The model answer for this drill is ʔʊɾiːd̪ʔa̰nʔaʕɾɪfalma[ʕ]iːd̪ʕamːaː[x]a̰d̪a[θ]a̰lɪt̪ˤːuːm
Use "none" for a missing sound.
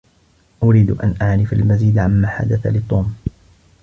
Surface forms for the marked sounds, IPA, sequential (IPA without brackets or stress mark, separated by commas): z, ħ, θ